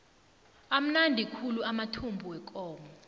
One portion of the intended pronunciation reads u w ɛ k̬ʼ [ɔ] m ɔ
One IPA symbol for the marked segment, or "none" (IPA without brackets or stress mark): ɔː